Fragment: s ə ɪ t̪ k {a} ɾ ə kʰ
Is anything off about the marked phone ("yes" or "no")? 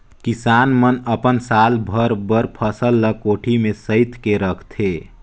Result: yes